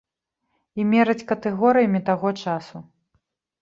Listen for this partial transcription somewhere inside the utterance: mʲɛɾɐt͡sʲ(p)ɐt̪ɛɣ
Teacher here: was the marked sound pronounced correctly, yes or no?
no